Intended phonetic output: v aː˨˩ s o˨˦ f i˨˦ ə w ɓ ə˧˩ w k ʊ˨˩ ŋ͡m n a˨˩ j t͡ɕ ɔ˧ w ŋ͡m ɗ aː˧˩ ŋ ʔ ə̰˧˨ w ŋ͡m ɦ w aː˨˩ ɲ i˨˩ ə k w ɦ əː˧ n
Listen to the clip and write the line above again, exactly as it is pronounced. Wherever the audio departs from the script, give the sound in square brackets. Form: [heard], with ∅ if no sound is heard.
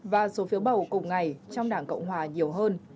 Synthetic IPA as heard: v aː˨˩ s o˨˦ f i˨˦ ə w ɓ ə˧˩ w k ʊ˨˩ ŋ͡m [ŋ] a˨˩ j t͡ɕ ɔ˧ w ŋ͡m ɗ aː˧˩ ŋ [k] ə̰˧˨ w ŋ͡m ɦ w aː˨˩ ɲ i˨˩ ə [∅] w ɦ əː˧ n